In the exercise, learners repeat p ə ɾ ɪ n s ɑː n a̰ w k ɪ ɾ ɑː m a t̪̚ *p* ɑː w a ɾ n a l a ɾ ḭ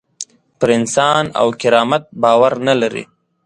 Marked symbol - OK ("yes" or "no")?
no